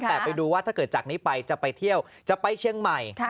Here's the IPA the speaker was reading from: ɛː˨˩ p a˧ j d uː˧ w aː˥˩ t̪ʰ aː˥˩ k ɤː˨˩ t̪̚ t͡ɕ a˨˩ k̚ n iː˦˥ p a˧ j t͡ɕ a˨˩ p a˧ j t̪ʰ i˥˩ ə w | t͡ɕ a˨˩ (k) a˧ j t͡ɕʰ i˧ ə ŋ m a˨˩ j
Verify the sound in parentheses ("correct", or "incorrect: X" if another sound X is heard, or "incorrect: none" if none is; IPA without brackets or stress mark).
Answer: incorrect: p